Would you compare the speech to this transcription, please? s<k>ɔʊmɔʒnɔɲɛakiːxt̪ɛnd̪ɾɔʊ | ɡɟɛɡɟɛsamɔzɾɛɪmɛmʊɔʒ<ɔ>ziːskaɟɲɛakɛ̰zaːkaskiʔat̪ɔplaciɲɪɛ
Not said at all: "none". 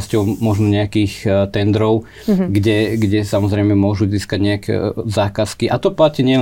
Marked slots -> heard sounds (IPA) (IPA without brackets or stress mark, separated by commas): c, u